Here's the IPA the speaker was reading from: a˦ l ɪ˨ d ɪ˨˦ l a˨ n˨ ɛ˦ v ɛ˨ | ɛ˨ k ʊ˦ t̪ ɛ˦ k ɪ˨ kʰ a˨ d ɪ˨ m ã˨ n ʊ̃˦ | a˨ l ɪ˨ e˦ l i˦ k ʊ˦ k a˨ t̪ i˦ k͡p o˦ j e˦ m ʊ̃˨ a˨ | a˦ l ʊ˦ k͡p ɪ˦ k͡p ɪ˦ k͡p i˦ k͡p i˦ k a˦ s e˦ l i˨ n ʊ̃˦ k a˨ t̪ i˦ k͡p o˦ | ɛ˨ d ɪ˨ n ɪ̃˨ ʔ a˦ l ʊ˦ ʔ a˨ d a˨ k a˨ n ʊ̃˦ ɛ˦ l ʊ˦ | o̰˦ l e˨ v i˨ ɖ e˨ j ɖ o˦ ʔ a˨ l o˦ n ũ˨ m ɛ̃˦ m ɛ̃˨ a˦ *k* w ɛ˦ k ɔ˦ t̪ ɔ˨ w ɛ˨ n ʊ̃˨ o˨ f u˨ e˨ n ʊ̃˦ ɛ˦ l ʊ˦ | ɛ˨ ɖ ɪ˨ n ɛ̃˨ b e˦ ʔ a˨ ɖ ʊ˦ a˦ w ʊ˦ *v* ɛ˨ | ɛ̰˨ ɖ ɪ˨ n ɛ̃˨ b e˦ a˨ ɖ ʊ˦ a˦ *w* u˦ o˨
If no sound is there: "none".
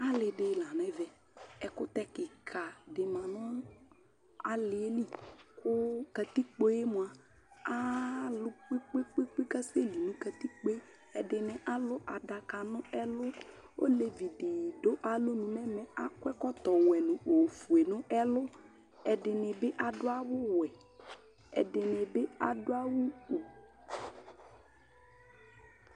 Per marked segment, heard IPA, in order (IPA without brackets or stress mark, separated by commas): k, w, w